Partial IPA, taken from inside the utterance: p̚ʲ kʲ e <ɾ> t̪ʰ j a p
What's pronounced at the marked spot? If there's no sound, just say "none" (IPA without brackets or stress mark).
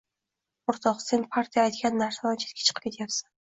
none